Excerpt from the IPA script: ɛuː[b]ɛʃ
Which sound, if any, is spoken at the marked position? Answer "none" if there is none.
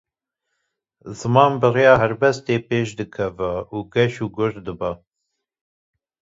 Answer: ɡ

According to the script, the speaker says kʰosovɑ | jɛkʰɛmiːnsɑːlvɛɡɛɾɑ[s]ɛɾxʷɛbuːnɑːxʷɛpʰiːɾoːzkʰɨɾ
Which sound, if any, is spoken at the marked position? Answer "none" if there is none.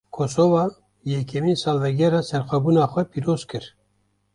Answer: s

